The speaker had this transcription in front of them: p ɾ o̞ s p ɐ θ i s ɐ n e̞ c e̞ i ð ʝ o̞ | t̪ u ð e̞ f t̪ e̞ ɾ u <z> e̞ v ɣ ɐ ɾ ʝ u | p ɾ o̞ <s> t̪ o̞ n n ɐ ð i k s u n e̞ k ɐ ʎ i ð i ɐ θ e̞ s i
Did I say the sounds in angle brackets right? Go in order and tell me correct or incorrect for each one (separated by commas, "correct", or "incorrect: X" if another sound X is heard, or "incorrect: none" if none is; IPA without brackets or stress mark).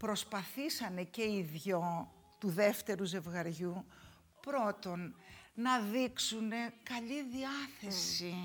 correct, incorrect: none